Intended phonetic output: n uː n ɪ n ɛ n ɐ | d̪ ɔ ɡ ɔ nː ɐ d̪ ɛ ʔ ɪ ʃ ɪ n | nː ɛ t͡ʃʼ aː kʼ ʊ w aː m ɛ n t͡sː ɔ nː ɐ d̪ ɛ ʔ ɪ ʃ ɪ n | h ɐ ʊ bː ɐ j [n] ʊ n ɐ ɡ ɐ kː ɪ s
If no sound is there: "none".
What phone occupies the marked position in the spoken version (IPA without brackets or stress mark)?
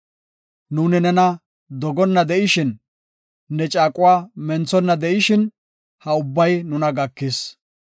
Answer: n